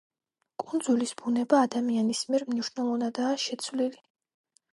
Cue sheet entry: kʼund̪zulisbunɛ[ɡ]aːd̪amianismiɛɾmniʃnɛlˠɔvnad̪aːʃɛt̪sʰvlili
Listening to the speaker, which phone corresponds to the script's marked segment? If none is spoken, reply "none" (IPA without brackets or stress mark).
b